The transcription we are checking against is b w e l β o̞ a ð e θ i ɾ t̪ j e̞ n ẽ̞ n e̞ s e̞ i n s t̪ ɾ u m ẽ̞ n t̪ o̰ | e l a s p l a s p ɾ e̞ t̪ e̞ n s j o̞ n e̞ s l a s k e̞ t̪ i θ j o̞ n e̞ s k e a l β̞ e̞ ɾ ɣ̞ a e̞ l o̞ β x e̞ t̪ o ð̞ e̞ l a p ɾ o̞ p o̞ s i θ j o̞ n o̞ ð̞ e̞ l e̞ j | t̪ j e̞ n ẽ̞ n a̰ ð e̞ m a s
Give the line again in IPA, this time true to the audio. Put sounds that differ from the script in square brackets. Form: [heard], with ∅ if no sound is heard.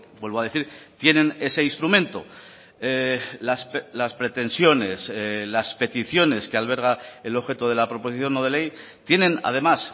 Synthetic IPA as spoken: b w e l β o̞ a ð e θ i ɾ t̪ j e̞ n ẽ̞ n e̞ s e̞ i n s t̪ ɾ u m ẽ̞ n t̪ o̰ | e l a s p l a s p ɾ e̞ t̪ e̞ n s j o̞ n e̞ s l a s [p] e̞ t̪ i θ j o̞ n e̞ s k e a l β̞ e̞ ɾ ɣ̞ a e̞ l o̞ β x e̞ t̪ o ð̞ e̞ l a p ɾ o̞ p o̞ s i θ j o̞ n o̞ ð̞ e̞ l e̞ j | t̪ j e̞ n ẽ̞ n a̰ ð e̞ m a s